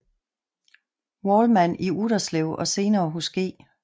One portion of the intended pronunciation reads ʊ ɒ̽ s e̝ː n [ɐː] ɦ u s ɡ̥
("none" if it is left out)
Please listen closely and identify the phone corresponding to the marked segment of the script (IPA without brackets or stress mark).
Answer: ɐː